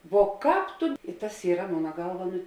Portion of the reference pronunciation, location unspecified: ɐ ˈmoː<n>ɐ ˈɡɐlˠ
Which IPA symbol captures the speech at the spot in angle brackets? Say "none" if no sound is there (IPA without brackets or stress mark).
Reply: n